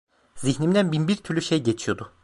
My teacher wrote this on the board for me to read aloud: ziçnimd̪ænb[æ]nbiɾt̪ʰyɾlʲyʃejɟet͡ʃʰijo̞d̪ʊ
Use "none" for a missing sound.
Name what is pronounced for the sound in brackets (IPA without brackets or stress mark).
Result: i